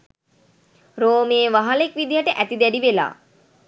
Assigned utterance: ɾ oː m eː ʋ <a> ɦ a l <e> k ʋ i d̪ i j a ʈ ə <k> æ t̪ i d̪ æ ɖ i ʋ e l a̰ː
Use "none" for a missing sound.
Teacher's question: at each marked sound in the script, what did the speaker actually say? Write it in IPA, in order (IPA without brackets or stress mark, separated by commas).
a, e, ʔ